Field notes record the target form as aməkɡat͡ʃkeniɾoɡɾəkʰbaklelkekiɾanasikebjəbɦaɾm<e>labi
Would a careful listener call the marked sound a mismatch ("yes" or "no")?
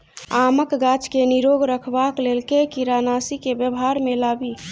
no